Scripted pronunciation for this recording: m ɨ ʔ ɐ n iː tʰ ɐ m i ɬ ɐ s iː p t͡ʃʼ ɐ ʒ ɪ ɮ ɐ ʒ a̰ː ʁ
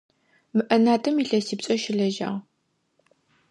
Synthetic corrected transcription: m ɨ ʔ ɐ n aː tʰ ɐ m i ɬ ɐ s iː p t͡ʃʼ ɐ ʃ ɪ ɮ ɐ ʒ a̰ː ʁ

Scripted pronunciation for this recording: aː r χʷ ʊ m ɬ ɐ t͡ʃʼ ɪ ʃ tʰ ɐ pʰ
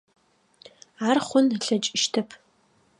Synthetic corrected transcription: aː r χʷ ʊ n ɬ ɐ t͡ʃʼ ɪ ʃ tʰ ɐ pʰ

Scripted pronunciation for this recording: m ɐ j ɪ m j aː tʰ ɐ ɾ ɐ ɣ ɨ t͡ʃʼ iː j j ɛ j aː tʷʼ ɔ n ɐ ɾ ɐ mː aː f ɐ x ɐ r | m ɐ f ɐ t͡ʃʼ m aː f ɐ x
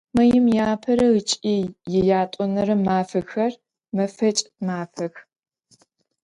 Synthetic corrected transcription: m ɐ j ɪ m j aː pʰ ɐ ɾ ɐ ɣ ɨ t͡ʃʼ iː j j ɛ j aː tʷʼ ɔ n ɐ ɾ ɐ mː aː f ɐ x ɐ r | m ɐ f ɐ t͡ʃʼ m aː f ɐ x

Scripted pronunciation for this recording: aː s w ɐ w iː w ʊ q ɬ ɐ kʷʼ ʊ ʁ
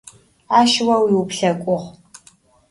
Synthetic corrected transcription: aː ʃ w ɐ w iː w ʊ p ɬ ɐ kʷʼ ʊ ʁ

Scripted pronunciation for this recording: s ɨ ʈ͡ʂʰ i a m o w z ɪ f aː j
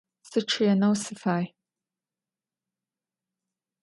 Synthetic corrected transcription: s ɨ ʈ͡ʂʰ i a n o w s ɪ f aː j

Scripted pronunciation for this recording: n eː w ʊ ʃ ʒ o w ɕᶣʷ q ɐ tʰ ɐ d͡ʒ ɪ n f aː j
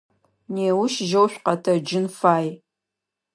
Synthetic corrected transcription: n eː w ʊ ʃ ʒ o w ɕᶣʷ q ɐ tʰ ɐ d͡ʒ ɪ n f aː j

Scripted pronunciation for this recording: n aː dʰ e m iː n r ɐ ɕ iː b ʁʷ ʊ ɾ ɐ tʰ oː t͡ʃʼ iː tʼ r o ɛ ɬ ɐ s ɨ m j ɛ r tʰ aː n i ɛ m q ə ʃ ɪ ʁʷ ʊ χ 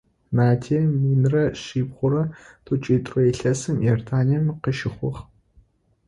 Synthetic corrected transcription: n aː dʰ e m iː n r ɐ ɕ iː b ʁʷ ʊ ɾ ɐ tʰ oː t͡ʃʼ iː tʼ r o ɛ ɬ ɐ s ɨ m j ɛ r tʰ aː n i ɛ m q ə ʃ ɪ χʷ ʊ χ

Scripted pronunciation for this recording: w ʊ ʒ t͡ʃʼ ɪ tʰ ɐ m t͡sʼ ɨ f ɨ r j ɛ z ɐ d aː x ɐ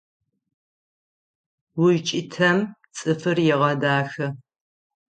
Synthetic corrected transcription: w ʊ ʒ t͡ʃʼ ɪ tʰ ɐ m t͡sʼ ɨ f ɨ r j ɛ ʁ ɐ d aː x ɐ

